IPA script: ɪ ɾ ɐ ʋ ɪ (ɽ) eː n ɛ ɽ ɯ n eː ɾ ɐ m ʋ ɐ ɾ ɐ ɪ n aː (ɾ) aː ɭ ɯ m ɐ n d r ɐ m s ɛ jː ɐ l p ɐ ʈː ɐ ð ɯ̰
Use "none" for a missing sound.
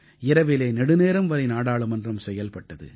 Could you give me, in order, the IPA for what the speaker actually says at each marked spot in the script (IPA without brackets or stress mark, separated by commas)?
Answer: l, ɽ